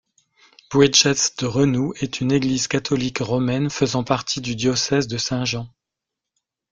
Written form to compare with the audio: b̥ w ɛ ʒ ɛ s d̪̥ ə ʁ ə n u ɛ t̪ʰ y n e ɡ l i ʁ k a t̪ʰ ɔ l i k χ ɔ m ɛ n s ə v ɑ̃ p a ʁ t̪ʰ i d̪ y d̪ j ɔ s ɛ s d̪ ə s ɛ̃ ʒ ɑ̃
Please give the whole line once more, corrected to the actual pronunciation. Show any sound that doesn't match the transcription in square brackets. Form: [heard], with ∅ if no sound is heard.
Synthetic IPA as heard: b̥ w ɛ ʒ ɛ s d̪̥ ə ʁ ə n u ɛ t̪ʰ y n e ɡ l i [z] k a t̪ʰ ɔ l i k [ʁ] ɔ m ɛ n [f] ə [z] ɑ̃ p a ʁ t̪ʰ i d̪ y d̪ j ɔ s ɛ [z] d̪ ə s ɛ̃ ʒ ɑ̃